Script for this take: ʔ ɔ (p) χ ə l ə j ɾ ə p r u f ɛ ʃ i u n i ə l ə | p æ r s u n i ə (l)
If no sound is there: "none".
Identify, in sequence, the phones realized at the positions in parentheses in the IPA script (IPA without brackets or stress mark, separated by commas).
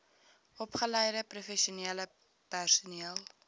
p, l